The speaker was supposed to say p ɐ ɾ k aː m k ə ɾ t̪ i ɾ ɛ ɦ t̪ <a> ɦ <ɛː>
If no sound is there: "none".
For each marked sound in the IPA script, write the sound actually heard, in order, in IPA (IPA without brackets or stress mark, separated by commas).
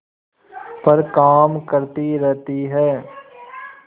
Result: i, ɛː